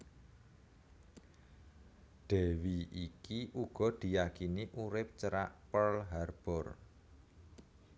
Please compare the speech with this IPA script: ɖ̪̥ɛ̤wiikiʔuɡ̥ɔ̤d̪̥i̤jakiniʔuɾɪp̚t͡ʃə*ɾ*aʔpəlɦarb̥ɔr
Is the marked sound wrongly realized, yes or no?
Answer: no